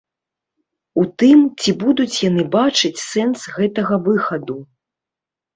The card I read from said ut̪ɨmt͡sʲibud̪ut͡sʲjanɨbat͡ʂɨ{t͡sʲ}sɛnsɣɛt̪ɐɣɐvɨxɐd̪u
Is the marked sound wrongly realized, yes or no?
no